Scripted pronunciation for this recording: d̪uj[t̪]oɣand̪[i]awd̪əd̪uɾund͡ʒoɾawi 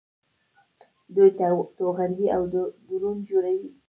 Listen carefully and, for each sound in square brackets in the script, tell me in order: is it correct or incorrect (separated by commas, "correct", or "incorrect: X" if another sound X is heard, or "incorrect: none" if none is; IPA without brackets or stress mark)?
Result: correct, correct